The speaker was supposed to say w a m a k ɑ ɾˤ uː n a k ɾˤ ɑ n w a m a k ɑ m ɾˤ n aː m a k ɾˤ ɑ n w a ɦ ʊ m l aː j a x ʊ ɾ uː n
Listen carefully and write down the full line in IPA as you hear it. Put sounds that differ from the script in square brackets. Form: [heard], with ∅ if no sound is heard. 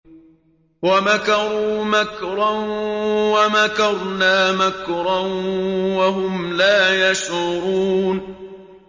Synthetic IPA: w a m a k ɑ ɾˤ uː [m] a k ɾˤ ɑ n w a m a k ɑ [∅] ɾˤ n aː m a k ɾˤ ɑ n w a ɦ ʊ m l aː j a [ʃ] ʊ ɾ uː n